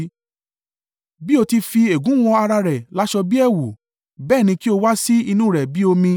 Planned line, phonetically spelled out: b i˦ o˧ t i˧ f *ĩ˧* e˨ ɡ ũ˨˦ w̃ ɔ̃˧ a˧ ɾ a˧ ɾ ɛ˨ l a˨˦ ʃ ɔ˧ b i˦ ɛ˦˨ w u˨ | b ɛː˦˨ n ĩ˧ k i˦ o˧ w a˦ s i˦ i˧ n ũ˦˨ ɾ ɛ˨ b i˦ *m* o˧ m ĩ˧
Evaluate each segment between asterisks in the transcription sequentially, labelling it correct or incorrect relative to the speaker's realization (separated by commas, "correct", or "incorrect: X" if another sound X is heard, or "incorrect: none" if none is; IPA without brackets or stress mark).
incorrect: i˧, incorrect: none